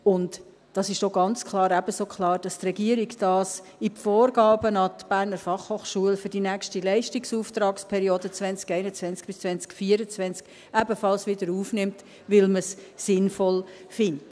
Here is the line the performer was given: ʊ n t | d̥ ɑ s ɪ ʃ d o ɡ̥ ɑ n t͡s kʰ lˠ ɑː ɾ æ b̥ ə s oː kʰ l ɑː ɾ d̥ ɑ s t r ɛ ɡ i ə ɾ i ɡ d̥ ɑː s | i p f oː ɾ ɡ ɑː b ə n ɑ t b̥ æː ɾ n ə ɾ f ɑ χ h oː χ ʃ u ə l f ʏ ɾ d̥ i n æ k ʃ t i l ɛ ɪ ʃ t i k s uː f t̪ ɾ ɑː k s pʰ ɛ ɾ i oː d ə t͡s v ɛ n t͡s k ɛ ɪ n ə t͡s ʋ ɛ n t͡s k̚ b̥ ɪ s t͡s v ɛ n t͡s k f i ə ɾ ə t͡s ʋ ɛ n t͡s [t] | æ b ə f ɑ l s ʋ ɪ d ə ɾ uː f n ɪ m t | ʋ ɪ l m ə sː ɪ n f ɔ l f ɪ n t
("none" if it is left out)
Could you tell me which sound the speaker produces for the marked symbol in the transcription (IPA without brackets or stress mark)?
k